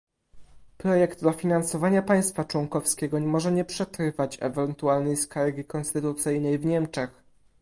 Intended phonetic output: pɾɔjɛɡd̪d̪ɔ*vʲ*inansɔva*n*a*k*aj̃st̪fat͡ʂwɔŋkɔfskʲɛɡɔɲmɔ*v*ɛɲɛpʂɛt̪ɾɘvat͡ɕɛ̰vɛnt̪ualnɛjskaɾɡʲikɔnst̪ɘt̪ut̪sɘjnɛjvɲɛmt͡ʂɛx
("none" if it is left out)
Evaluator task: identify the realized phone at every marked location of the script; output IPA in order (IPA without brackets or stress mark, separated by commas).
fʲ, ɲ, p, ʐ